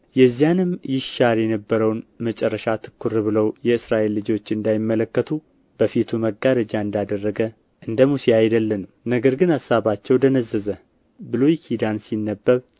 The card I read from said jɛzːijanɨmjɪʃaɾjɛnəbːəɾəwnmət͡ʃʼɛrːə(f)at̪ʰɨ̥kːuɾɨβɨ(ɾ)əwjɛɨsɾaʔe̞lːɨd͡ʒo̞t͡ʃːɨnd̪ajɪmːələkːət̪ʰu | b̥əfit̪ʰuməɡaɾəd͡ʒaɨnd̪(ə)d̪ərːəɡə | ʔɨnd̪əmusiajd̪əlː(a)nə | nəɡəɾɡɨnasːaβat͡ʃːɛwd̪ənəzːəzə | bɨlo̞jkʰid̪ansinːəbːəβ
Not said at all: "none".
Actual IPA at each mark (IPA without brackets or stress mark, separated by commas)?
ʃ, l, a, ə